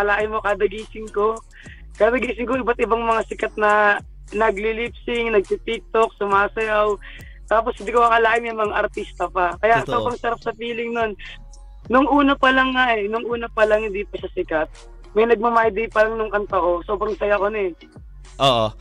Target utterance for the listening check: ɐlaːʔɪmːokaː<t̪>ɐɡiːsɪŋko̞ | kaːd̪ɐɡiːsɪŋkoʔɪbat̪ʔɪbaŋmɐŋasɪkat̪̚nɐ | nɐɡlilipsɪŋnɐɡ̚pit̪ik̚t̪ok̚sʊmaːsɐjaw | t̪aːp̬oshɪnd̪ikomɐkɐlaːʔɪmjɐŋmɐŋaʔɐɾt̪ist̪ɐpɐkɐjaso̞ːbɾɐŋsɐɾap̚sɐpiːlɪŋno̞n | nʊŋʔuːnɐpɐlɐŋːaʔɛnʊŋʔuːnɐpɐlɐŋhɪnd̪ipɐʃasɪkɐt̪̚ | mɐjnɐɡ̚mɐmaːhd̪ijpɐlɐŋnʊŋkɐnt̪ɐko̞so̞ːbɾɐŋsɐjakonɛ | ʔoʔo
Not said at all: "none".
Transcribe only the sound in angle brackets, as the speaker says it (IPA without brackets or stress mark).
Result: d̪